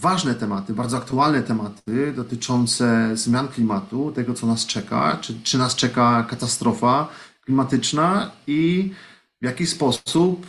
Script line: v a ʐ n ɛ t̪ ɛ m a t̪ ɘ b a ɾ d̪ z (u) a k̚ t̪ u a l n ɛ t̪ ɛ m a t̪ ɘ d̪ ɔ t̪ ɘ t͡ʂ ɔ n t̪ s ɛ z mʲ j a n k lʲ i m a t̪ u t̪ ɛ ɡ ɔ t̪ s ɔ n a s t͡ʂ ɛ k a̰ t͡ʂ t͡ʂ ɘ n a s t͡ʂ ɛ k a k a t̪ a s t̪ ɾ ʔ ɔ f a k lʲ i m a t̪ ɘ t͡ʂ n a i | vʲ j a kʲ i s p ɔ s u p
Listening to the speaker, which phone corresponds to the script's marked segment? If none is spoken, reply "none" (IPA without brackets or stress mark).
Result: ɔ